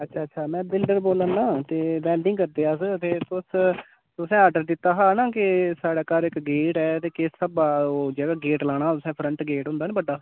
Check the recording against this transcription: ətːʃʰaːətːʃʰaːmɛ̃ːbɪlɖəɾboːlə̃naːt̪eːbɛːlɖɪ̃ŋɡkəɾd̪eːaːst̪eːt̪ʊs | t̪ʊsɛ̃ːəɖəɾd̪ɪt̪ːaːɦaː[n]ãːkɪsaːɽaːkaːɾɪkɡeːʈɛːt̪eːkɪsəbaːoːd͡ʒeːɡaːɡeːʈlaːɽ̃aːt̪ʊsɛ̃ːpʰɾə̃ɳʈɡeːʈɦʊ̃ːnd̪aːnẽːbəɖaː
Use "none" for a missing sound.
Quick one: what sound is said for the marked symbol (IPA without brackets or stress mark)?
n